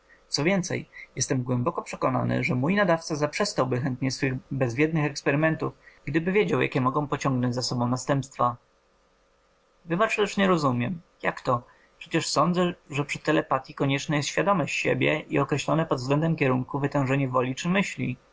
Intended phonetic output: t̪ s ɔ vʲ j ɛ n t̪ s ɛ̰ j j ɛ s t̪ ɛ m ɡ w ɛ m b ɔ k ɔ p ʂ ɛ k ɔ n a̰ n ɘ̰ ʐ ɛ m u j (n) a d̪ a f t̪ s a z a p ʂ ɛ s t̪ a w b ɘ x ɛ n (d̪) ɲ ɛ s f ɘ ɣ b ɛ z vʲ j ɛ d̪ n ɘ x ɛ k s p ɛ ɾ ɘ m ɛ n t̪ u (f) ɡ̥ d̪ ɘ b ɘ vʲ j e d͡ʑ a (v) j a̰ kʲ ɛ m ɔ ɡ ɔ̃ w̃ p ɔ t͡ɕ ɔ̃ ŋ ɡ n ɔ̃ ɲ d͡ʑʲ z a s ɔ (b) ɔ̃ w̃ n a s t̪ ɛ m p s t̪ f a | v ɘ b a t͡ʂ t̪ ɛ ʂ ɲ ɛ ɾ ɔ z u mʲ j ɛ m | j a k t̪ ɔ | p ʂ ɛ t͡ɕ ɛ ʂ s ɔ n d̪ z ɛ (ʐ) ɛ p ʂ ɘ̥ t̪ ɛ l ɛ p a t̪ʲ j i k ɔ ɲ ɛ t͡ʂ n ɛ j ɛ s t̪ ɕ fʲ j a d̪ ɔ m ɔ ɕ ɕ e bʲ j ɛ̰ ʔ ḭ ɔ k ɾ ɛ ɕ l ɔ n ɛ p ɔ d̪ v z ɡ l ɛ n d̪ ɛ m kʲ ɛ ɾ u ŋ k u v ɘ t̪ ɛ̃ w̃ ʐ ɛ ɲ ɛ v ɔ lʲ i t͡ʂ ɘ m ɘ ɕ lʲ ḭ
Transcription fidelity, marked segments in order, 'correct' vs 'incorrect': correct, incorrect, correct, incorrect, correct, correct

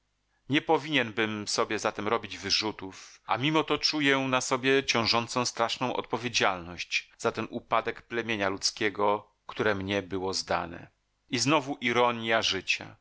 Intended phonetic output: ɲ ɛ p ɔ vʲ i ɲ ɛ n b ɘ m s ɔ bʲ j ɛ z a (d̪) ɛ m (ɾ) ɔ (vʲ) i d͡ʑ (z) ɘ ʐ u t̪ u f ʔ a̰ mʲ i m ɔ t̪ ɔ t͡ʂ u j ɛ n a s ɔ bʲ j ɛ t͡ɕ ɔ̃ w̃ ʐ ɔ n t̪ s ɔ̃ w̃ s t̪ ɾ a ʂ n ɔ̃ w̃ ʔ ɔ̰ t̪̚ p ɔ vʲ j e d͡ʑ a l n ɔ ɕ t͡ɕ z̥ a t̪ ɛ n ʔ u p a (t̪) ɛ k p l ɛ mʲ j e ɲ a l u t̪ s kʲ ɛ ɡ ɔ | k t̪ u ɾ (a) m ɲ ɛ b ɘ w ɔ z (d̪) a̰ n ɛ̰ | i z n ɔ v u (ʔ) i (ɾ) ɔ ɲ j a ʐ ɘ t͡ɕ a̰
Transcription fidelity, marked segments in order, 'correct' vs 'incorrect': incorrect, correct, incorrect, incorrect, incorrect, incorrect, correct, correct, correct

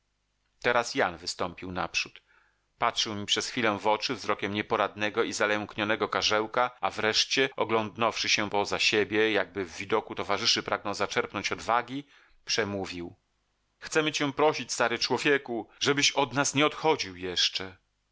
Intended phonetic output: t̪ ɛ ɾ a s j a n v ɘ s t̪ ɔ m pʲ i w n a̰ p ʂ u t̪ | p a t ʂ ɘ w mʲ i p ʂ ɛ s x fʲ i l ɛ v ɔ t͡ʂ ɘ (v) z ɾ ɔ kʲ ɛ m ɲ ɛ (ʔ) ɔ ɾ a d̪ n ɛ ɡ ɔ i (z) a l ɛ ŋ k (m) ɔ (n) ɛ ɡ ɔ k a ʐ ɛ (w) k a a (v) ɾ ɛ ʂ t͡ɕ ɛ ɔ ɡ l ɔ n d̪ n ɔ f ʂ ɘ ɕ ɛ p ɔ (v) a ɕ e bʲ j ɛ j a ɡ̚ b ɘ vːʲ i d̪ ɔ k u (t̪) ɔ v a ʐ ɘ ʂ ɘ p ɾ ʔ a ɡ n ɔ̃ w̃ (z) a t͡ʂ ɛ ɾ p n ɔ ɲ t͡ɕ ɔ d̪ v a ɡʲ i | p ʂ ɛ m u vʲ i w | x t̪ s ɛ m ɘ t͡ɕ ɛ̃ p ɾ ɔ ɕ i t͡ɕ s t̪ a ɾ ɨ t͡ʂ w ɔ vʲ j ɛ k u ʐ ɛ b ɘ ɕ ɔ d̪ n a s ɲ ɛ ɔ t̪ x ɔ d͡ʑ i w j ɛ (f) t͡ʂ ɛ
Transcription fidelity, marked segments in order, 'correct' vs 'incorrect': correct, incorrect, correct, incorrect, correct, correct, correct, incorrect, correct, correct, incorrect

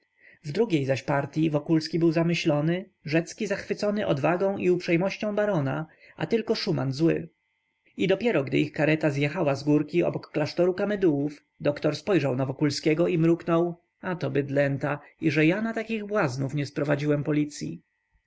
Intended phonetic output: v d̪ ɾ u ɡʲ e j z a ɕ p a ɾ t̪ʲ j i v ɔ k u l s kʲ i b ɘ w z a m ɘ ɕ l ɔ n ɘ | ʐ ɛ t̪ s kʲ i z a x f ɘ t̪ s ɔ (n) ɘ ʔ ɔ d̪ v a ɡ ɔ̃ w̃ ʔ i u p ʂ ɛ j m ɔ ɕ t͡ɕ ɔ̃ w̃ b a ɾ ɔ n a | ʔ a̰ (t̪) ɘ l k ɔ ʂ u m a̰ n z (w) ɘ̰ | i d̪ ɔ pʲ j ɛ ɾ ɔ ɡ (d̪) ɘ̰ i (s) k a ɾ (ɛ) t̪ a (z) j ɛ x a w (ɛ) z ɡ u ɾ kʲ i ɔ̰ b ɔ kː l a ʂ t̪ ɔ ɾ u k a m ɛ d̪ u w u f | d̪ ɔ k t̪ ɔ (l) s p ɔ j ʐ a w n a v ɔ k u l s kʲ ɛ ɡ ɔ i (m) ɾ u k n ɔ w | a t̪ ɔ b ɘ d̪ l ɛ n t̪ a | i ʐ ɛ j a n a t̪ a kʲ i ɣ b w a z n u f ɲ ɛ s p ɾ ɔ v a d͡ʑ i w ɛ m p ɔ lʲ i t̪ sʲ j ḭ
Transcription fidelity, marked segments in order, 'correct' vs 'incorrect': correct, correct, correct, correct, incorrect, correct, correct, incorrect, incorrect, correct

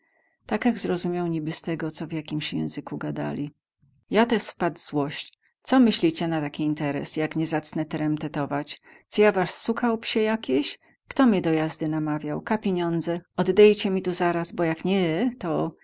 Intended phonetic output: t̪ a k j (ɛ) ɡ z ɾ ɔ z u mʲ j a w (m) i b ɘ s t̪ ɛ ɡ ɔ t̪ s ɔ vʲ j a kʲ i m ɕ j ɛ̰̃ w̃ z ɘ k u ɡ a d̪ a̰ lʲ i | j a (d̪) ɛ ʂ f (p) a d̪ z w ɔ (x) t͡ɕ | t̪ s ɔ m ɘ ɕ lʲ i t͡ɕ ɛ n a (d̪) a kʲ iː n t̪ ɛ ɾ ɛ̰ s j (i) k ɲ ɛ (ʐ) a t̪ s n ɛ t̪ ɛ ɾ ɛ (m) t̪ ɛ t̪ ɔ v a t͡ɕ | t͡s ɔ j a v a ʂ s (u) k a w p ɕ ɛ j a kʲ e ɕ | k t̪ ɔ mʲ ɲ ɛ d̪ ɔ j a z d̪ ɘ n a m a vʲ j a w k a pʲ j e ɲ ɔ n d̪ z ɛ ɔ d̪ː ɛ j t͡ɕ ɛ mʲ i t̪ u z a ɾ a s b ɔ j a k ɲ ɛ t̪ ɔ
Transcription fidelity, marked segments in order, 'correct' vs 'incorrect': incorrect, incorrect, incorrect, correct, incorrect, incorrect, incorrect, incorrect, correct, correct

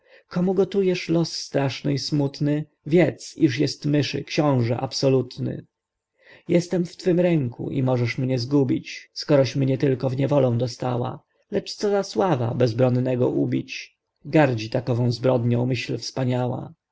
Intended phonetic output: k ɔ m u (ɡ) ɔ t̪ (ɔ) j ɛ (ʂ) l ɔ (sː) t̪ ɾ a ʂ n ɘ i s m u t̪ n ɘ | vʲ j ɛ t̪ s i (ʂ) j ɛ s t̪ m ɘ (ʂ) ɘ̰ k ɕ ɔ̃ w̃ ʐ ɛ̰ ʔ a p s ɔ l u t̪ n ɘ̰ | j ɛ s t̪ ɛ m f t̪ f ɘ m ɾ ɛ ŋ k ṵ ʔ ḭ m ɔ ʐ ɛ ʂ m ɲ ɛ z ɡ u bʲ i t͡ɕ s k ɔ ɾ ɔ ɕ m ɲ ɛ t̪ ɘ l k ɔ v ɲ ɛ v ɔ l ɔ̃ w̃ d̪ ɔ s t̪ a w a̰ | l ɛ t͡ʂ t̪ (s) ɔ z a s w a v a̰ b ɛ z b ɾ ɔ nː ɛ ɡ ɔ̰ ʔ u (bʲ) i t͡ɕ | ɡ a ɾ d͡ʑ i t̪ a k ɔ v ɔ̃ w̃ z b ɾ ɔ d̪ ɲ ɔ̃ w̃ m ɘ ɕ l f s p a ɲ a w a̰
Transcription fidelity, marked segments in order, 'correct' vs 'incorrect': correct, incorrect, correct, correct, correct, correct, correct, correct

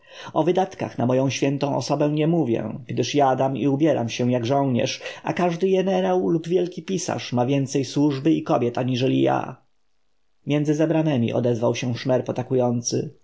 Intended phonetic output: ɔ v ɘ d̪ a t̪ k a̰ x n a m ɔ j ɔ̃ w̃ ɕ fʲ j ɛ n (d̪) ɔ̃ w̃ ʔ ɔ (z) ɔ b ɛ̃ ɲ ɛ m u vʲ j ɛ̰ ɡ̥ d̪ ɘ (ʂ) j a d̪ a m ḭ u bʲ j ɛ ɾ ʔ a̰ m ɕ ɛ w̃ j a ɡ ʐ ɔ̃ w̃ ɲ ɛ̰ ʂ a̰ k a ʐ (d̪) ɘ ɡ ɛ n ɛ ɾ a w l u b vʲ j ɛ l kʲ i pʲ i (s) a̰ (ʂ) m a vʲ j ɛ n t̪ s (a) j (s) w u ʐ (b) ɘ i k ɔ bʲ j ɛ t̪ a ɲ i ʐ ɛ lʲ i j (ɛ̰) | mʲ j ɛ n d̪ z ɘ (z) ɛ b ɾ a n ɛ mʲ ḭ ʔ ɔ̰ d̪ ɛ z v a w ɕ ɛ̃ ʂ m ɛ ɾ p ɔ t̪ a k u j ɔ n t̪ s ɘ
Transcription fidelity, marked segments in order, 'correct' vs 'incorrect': incorrect, incorrect, correct, correct, correct, correct, incorrect, correct, correct, incorrect, correct

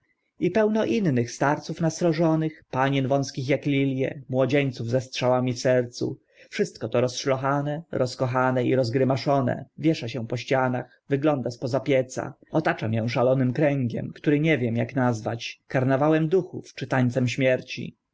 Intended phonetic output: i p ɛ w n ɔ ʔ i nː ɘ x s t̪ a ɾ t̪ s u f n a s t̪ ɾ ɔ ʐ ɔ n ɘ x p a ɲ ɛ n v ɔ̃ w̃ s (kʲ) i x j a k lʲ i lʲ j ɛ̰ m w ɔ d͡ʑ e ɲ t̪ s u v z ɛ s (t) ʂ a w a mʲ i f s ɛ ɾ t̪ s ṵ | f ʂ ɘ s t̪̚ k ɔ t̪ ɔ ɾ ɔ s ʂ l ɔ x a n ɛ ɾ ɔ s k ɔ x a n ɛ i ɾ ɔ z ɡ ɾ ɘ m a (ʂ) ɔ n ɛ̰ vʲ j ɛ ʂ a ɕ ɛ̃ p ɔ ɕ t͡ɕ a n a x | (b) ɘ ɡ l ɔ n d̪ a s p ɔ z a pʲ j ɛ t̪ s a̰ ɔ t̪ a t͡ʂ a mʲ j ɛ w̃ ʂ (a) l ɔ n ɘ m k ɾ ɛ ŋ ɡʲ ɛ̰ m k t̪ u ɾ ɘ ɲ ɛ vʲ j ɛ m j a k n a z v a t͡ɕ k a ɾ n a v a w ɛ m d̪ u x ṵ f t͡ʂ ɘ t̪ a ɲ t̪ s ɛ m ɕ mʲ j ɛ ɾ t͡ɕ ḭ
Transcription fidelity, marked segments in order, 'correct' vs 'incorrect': correct, correct, correct, incorrect, correct

